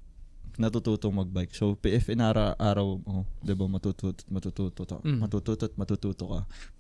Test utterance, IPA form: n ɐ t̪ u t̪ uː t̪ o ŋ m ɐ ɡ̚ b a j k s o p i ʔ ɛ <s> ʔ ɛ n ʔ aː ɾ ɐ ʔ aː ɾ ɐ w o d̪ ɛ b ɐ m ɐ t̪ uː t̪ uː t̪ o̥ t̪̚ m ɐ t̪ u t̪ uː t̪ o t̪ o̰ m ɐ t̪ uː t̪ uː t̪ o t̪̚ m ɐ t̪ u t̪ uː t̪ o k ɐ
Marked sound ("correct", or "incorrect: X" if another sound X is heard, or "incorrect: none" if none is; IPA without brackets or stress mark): incorrect: f